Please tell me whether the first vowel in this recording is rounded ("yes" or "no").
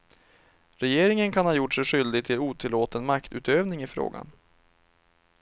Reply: no